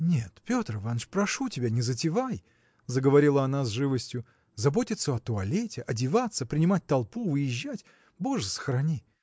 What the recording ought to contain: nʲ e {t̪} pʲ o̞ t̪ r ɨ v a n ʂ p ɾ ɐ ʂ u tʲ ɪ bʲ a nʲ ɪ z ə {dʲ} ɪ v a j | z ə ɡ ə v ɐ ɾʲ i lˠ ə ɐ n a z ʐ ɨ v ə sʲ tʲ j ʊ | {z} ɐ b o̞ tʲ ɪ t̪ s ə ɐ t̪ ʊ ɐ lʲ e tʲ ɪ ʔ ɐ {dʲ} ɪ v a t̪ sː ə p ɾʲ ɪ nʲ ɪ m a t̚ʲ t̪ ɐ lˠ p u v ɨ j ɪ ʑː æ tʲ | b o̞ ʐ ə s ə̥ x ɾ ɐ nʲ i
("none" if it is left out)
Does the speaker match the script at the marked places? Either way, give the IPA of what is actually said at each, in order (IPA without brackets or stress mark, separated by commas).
t̪, tʲ, z, dʲ